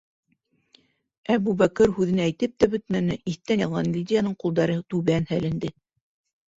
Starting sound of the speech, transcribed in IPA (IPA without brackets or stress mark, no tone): æ